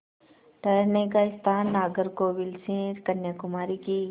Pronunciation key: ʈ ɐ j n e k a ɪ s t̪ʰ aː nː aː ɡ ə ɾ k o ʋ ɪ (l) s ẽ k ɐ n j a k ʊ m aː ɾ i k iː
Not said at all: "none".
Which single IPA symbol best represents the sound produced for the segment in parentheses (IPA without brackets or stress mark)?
l